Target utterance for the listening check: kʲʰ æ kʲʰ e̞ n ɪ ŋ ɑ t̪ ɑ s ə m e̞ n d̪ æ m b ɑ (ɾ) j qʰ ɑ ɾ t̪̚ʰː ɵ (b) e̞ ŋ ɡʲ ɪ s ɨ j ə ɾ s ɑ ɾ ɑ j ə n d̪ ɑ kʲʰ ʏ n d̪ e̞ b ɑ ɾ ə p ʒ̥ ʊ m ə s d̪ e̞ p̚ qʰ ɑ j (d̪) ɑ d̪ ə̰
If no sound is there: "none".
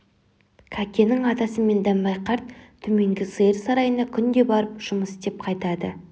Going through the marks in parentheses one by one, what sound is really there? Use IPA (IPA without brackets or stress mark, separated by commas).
none, m, t̪